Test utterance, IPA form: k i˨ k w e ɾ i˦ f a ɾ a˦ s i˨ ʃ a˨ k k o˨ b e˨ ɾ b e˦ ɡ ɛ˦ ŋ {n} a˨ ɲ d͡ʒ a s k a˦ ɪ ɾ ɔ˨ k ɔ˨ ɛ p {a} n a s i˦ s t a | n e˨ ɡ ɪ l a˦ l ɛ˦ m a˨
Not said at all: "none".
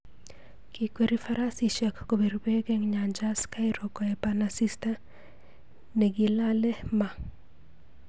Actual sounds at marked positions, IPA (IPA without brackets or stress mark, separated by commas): ɲ, a